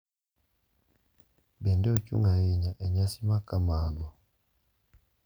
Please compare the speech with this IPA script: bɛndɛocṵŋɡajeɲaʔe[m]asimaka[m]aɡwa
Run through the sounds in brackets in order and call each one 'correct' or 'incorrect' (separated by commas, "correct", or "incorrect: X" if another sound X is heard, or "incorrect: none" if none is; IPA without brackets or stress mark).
incorrect: ɲ, correct